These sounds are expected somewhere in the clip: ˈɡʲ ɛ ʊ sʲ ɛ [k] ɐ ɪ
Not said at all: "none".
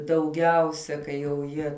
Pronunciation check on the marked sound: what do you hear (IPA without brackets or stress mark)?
k